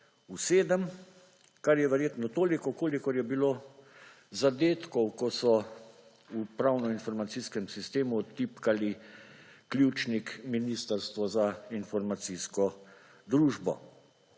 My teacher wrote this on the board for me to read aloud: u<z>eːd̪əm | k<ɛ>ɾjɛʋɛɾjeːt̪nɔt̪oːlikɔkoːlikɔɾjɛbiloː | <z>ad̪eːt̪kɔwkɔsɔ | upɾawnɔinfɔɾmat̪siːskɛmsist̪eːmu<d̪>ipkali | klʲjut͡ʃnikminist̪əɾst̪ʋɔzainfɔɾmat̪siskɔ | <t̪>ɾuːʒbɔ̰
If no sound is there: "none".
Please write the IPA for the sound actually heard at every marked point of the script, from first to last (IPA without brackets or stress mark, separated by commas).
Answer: s, a, z, t̪, d̪